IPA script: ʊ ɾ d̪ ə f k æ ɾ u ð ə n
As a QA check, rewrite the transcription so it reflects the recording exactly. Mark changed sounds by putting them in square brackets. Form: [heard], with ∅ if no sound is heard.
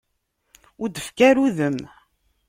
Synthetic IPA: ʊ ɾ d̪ ə f k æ ɾ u ð ə [m]